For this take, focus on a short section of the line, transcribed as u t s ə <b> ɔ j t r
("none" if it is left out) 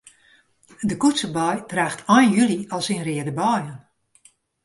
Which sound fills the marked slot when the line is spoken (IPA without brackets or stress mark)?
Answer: b